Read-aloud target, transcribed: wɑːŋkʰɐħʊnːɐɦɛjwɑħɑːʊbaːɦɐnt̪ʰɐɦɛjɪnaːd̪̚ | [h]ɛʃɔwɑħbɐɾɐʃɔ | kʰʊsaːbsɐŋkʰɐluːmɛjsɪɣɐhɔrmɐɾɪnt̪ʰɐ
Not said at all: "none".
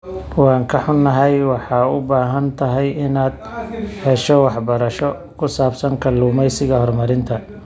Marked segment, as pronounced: h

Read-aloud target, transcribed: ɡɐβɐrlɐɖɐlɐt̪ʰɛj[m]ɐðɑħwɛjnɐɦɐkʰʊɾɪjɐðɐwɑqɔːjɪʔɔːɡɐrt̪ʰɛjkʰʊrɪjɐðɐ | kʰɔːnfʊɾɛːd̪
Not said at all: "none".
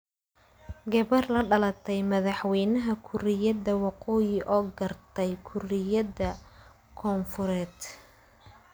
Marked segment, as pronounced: m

